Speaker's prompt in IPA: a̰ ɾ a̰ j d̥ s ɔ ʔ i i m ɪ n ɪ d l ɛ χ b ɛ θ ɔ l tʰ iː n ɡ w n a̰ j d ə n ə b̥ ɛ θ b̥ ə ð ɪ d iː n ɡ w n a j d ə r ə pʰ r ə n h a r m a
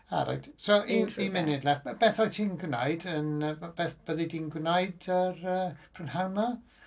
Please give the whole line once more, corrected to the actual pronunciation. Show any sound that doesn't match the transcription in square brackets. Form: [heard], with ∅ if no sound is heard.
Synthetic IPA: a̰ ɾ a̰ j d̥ s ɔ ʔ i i m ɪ n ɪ d l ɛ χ b ɛ θ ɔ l tʰ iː n ɡ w n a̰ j d ə n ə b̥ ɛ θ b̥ ə ð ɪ d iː n ɡ w n a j d ə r ə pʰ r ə n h a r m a